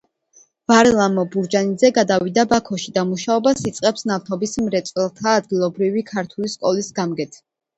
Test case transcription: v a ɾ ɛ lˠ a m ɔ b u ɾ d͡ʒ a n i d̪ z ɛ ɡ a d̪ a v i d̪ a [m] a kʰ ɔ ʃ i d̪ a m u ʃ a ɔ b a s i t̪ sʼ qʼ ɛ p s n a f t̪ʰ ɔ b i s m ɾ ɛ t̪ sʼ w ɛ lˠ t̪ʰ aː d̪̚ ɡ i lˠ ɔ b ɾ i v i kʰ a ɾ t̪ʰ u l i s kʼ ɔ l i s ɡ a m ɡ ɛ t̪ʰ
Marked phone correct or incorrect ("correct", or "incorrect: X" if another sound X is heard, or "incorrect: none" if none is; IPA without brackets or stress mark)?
incorrect: b